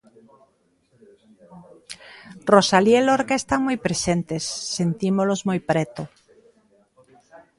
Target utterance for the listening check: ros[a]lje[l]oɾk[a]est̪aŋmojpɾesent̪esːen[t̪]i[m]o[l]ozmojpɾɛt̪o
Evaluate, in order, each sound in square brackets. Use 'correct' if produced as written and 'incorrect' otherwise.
correct, correct, correct, correct, correct, correct

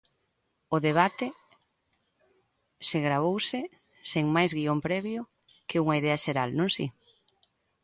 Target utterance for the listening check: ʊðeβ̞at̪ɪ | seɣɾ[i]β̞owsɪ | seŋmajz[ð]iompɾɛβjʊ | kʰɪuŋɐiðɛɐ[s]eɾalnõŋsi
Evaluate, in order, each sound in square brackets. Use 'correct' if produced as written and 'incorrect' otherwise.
incorrect, incorrect, incorrect

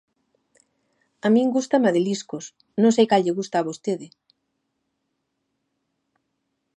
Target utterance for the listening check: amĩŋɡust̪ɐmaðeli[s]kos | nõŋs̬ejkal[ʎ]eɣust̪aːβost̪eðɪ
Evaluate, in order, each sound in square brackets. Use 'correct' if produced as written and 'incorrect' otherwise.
correct, correct

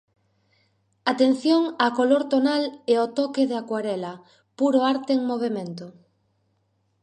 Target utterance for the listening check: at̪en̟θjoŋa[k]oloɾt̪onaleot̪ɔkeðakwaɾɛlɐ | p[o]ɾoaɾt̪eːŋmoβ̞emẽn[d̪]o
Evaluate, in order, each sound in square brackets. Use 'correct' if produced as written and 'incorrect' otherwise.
correct, incorrect, incorrect

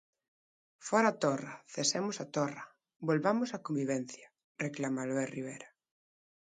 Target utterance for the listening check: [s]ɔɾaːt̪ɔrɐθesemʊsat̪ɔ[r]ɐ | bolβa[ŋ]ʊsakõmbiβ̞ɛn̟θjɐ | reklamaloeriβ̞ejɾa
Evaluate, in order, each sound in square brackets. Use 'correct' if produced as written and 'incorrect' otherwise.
incorrect, correct, incorrect

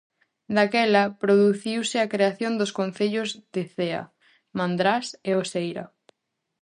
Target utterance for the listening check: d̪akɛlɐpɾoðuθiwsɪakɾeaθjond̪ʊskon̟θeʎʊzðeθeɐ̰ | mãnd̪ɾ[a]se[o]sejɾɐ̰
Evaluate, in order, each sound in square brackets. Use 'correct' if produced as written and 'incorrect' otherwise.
correct, correct

